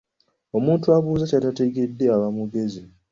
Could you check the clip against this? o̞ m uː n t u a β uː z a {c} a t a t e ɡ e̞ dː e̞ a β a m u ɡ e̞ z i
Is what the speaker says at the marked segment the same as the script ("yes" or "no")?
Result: yes